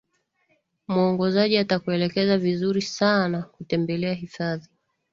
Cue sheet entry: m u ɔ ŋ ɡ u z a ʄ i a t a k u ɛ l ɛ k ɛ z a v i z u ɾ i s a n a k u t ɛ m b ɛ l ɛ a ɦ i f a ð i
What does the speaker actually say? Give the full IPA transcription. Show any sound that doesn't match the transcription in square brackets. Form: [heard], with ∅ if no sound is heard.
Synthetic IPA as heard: m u ɔ ŋ ɡ [ɔ] z a ʄ i a t a k u ɛ l ɛ k ɛ z a v i z u ɾ i s a n a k u t ɛ m b ɛ l ɛ a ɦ i f a ð i